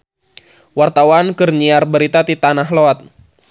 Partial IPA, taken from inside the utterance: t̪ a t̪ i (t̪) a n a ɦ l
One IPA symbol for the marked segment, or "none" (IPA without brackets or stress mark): t̪